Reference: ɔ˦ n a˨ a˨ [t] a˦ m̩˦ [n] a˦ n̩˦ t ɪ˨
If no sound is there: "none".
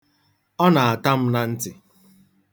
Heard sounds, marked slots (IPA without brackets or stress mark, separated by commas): t, n